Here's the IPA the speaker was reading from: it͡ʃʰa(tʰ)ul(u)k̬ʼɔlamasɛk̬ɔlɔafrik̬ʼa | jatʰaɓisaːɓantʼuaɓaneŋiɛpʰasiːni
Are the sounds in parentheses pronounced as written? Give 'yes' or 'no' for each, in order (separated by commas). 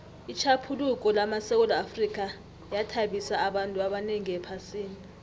no, yes